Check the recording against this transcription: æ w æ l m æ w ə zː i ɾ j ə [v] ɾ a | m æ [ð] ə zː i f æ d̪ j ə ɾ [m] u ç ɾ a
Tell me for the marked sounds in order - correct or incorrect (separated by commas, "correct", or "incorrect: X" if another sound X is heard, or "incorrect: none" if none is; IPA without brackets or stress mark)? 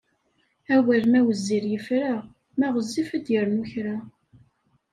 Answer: incorrect: f, incorrect: ʁ, incorrect: n